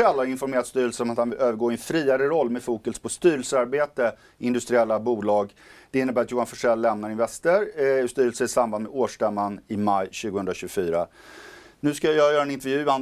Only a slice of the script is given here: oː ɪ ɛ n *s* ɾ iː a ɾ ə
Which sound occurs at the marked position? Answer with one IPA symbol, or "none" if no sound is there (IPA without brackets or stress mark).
f